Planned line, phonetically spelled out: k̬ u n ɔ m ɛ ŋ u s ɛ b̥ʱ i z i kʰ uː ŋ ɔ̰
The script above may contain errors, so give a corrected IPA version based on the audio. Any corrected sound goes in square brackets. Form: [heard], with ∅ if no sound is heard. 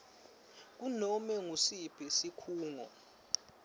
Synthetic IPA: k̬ u n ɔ m ɛ ŋ u s [i] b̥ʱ i [s] i kʰ uː ŋ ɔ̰